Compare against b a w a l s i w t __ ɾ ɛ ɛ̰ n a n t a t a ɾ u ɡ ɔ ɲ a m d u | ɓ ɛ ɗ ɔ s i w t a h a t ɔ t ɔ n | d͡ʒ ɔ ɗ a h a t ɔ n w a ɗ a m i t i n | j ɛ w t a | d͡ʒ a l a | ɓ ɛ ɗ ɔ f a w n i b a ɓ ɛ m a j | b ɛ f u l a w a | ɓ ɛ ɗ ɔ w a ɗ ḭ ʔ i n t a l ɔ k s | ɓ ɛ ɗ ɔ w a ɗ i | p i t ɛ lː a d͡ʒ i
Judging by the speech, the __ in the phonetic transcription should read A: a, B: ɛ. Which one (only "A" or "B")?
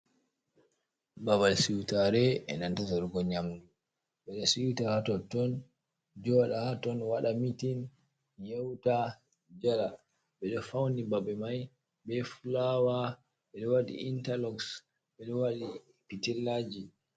A